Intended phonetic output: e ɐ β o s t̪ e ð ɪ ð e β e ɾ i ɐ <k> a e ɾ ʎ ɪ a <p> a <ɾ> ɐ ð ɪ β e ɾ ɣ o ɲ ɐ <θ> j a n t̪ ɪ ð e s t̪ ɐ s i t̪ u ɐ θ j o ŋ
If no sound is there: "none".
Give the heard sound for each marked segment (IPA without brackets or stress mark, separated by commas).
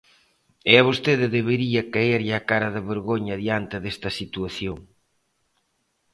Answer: k, k, ɾ, ð